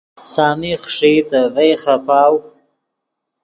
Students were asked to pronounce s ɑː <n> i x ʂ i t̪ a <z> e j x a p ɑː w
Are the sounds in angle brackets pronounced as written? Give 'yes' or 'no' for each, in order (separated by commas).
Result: no, no